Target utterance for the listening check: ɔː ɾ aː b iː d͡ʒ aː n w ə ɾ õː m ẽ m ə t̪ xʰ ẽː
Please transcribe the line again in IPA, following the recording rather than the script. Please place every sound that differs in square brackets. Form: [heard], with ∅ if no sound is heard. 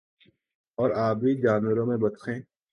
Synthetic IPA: ɔː ɾ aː b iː d͡ʒ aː n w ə ɾ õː m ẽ [b] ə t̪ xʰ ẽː